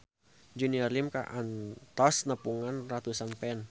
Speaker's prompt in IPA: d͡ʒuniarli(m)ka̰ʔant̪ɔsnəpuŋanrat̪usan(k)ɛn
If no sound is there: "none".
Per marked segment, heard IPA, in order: m, p

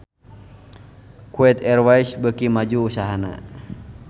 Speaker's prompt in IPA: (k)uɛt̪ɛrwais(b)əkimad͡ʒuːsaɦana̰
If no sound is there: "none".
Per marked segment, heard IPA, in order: k, b

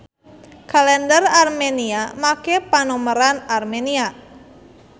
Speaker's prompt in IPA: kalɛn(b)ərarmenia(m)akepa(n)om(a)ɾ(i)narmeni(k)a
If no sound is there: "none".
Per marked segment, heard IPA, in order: d, m, n, ə, a, none

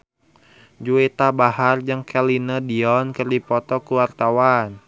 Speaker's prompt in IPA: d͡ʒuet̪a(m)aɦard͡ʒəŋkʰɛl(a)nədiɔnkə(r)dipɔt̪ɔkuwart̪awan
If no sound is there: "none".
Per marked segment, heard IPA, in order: b, i, r

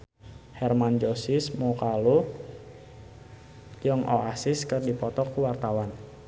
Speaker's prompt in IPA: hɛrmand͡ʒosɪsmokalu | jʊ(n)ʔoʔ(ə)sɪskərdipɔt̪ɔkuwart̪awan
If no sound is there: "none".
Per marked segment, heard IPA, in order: ŋ, a

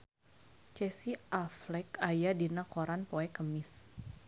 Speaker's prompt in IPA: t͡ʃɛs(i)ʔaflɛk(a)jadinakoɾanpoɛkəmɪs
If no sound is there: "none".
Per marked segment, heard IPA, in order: i, a

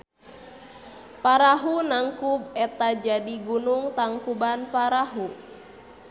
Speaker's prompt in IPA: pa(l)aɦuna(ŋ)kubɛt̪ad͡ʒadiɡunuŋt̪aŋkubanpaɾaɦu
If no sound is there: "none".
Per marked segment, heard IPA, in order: ɾ, ŋ

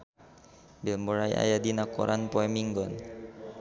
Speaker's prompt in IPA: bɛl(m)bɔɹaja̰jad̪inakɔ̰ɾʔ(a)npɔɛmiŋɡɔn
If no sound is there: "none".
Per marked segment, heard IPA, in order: m, a

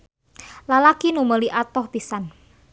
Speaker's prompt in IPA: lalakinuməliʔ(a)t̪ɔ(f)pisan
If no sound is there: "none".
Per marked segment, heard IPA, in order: a, h

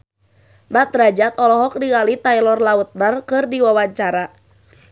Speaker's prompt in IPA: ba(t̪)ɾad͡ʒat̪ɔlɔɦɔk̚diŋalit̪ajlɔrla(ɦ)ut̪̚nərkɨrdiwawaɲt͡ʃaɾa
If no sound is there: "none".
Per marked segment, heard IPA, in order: t̪, none

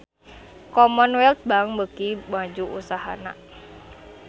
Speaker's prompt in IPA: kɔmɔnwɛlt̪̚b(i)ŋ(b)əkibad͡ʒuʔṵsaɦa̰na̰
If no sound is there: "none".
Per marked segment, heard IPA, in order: a, b

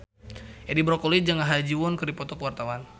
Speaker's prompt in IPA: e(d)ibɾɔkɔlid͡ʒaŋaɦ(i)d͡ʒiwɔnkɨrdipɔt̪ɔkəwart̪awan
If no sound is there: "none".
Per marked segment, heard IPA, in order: d, a

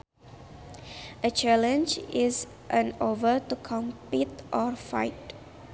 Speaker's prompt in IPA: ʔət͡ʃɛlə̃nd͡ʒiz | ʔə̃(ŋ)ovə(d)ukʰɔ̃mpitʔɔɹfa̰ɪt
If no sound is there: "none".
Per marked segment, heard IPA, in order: n, t

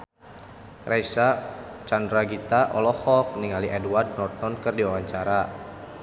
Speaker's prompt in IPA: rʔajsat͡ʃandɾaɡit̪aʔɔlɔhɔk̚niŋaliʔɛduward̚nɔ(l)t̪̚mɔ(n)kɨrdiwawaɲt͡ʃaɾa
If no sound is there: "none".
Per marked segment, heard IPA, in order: r, n

